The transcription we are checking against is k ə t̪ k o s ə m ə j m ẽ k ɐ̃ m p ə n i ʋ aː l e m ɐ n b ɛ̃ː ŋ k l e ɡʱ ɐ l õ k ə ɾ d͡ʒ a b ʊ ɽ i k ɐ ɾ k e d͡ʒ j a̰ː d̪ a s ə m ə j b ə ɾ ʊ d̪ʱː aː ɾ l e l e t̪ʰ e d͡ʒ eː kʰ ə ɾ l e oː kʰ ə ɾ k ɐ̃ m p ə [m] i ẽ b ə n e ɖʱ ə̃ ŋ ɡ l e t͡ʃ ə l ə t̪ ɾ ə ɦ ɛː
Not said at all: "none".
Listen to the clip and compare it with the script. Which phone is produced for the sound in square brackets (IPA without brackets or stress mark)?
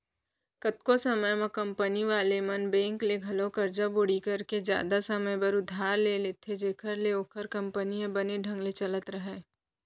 n